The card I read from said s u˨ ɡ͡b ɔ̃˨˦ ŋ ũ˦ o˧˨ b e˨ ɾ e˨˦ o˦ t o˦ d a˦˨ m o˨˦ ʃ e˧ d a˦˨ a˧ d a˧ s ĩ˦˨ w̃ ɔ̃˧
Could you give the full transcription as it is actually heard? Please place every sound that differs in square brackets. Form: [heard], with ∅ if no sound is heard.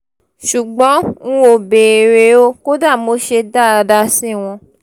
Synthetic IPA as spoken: [ʃ] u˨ ɡ͡b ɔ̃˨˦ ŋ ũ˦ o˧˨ b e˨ ɾ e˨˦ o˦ [k] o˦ d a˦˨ m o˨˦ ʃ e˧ d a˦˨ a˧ d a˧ s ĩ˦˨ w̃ ɔ̃˧